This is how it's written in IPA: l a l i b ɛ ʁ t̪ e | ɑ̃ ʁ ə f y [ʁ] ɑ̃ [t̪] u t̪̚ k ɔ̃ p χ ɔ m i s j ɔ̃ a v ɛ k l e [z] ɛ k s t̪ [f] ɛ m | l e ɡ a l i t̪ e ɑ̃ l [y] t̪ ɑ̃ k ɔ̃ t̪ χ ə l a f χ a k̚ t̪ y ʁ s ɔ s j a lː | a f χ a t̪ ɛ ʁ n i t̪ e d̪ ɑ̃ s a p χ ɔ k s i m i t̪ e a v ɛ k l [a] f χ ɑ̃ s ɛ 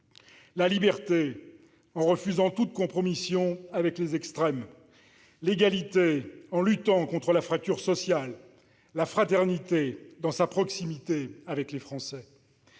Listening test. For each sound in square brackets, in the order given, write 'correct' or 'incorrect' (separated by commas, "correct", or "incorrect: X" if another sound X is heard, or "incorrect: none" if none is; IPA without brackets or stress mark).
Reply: incorrect: z, correct, correct, incorrect: χ, correct, incorrect: e